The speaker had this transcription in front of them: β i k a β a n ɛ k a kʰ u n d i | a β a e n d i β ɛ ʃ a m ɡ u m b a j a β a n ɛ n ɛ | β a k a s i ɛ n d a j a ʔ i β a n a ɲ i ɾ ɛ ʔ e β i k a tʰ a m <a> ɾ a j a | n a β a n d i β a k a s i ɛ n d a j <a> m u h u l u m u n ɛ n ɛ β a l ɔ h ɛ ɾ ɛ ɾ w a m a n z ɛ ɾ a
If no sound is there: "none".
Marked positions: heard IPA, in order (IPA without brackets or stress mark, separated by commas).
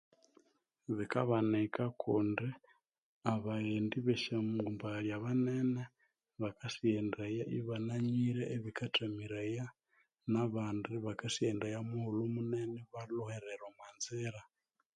i, a